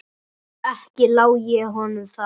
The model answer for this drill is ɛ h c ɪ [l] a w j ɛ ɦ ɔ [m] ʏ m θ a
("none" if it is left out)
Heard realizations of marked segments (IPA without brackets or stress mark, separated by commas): l, n